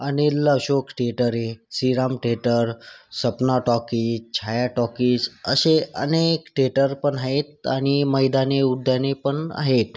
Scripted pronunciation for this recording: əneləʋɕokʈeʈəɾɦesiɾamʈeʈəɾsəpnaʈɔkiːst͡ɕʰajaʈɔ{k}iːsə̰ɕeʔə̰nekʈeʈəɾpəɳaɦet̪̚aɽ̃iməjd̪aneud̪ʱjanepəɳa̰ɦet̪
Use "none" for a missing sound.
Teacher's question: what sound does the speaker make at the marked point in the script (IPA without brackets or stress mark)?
k